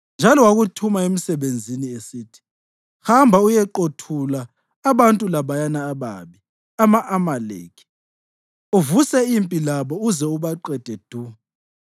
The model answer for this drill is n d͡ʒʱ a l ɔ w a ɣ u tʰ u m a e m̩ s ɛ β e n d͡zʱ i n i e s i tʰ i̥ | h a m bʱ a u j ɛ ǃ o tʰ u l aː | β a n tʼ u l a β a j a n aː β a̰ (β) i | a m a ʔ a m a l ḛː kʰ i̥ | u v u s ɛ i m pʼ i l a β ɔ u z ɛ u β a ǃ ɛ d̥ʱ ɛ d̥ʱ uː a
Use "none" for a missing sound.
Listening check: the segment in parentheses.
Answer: β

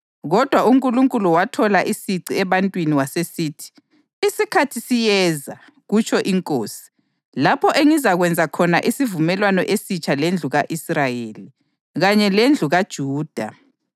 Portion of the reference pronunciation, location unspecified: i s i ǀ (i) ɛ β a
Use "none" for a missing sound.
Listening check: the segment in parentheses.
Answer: i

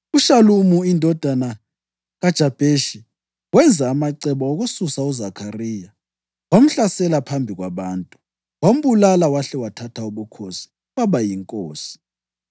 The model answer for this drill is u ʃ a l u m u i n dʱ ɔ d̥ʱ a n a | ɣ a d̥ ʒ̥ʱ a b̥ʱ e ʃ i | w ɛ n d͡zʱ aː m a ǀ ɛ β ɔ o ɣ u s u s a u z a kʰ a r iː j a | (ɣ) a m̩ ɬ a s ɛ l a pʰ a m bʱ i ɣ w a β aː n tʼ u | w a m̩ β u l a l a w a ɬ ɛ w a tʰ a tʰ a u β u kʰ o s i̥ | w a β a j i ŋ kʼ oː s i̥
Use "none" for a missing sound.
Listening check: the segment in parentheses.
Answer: w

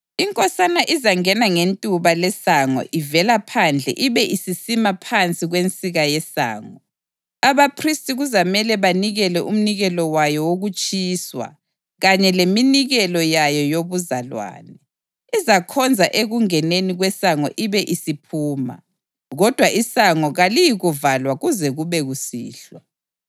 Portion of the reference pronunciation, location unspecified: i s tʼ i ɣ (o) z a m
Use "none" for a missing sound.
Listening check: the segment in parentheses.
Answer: u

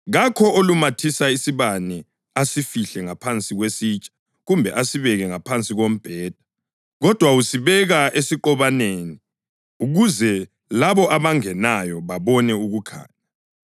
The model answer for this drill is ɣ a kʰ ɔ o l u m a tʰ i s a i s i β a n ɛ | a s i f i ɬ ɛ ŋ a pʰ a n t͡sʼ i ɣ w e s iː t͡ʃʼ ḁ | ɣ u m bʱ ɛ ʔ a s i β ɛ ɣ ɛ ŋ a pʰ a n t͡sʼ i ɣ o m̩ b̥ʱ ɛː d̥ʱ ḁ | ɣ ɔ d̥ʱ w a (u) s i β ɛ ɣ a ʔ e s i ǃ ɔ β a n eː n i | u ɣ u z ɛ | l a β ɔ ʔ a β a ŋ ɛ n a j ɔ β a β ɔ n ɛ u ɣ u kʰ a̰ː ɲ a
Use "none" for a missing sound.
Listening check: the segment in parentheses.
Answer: u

